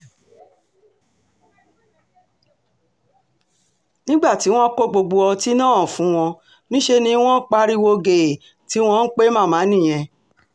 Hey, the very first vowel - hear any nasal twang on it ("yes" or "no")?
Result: yes